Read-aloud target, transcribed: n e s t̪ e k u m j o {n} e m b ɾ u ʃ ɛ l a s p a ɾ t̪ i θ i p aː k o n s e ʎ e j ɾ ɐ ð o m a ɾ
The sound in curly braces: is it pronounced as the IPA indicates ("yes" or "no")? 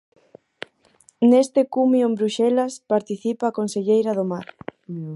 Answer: no